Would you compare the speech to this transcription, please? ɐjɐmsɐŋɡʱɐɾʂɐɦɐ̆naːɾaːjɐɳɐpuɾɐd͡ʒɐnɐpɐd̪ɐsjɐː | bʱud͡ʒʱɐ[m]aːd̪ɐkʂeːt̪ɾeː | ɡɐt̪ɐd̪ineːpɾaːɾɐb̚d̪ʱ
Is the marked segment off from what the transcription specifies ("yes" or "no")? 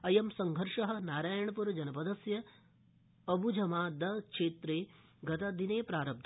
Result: no